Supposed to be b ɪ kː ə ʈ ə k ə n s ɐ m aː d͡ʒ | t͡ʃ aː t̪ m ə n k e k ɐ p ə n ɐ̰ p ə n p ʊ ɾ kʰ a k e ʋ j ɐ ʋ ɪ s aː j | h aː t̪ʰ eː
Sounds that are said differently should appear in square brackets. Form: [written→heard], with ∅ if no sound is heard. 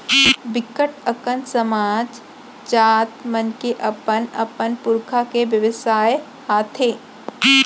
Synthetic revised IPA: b ɪ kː ə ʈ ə k ə n s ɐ m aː d͡ʒ | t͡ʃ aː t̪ m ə n k e [k→ʔ] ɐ p ə n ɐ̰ p ə n p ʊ ɾ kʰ a k e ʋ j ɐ ʋ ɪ s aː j | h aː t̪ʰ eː